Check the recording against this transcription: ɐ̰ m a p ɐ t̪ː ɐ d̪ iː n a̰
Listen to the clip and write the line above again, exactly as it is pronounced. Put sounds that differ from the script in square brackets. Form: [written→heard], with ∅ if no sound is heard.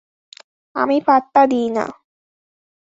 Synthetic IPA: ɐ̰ m [a→i] p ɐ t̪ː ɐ d̪ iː n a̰